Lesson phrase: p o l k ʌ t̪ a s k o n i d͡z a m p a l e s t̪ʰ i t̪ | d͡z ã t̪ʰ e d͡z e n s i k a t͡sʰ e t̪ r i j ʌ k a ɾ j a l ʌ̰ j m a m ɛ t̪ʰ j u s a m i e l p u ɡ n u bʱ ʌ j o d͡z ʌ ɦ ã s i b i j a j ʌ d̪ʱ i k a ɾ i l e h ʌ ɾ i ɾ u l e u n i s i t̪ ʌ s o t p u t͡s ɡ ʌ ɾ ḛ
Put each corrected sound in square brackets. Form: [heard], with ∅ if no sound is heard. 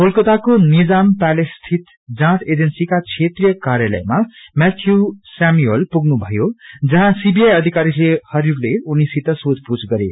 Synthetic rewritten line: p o l k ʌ t̪ a [∅] k o n i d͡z a m p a l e s t̪ʰ i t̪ | d͡z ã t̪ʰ e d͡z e n s i k a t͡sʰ e t̪ r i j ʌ k a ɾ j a l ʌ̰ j m a m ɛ t̪ʰ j u s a m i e l p u ɡ n u bʱ ʌ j o d͡z ʌ ɦ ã s i b i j a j ʌ d̪ʱ i k a ɾ i l e h ʌ ɾ i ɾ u l e u n i s i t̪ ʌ s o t p u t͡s ɡ ʌ ɾ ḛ